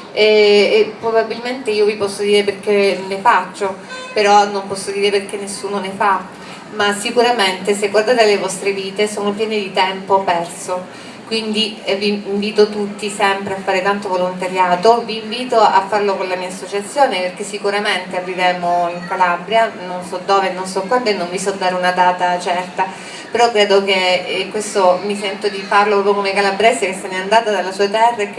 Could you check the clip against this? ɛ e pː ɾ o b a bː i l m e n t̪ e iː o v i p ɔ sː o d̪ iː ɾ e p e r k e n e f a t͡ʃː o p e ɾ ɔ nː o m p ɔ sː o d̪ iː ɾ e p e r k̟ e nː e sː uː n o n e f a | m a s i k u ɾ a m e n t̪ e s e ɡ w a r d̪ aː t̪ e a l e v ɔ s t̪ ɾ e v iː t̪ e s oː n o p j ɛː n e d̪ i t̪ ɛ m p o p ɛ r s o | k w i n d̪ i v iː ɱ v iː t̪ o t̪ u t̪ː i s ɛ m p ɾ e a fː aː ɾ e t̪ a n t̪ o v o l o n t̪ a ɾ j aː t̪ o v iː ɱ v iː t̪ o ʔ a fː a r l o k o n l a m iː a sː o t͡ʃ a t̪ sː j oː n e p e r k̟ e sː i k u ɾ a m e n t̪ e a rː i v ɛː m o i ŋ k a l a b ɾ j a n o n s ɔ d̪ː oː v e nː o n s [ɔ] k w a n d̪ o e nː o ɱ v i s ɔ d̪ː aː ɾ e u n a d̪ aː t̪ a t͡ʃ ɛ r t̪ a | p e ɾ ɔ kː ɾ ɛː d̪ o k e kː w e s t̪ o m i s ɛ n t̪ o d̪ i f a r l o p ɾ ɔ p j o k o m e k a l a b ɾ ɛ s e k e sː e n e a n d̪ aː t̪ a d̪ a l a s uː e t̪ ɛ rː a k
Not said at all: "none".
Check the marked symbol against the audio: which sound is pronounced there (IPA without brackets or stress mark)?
ɔ